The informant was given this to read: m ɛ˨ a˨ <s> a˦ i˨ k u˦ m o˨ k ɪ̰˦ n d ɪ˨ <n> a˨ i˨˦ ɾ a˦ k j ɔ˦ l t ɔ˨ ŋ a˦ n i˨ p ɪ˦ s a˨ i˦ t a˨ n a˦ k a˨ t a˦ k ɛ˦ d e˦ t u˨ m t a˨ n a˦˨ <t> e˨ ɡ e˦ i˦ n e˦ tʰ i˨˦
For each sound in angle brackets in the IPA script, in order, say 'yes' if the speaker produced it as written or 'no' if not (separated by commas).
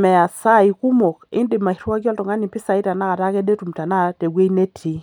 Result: yes, no, yes